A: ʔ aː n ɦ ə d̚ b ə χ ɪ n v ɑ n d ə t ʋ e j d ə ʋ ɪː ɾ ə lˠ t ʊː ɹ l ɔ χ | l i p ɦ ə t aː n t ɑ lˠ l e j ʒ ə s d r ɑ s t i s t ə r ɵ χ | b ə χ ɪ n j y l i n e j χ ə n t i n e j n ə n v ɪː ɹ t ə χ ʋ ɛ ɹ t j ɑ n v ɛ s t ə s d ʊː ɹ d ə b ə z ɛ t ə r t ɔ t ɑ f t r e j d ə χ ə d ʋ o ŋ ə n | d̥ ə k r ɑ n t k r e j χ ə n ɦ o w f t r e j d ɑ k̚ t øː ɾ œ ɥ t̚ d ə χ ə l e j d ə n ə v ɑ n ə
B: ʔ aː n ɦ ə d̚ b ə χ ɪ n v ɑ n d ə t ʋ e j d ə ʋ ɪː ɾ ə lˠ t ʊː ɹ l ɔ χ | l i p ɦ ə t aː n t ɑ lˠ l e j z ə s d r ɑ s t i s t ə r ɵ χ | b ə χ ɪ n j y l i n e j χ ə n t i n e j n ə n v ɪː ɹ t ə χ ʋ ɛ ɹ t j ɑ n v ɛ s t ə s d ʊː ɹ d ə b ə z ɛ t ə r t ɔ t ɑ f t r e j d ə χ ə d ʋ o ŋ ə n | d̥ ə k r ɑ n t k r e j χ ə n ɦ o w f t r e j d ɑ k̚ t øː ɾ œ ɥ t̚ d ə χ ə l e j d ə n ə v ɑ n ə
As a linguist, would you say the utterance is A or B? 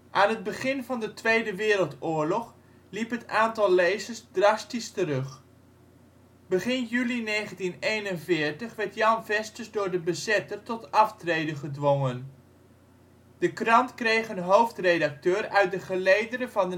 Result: B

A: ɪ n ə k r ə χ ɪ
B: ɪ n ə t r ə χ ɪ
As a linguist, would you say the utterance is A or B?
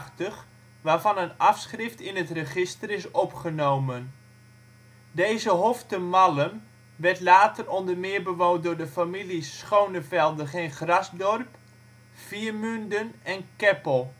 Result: B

